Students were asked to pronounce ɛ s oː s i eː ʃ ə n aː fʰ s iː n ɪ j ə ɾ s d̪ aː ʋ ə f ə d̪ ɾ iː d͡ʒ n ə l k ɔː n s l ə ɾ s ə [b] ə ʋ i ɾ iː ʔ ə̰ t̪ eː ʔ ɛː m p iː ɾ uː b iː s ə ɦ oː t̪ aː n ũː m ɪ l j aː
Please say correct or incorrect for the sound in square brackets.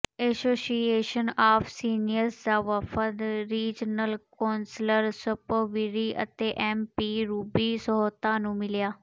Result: incorrect